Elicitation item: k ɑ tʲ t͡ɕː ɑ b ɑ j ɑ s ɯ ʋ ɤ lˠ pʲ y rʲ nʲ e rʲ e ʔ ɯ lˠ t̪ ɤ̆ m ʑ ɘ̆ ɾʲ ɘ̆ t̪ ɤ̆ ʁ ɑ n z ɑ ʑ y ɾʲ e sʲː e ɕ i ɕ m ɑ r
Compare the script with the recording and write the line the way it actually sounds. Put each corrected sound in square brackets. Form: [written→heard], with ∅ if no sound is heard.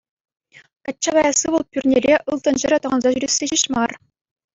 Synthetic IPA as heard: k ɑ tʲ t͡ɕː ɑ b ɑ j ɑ s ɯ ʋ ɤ lˠ pʲ y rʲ nʲ e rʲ e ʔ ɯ lˠ t̪ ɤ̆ [m→n] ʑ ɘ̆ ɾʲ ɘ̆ t̪ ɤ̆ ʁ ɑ n z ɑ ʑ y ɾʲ e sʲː e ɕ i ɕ m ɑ r